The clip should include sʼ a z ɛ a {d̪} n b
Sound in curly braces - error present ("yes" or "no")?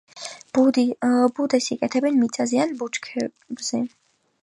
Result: yes